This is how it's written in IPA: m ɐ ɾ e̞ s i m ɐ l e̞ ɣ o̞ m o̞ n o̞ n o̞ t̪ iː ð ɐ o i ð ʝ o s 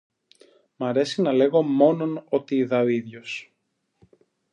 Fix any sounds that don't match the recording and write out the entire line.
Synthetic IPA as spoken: m ɐ ɾ e̞ s i n ɐ l e̞ ɣ o̞ m o̞ n o̞ n o̞ t̪ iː ð ɐ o i ð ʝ o s